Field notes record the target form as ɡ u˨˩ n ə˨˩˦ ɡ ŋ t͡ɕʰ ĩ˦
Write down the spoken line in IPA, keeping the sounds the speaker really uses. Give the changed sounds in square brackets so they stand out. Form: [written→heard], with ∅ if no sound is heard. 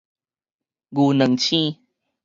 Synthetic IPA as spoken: ɡ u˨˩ n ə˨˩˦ [ɡ→∅] ŋ t͡ɕʰ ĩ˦